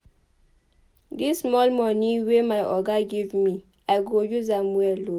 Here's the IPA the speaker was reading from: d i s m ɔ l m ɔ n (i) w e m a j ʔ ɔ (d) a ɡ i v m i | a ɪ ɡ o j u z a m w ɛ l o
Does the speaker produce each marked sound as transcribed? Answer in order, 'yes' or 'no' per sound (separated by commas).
yes, no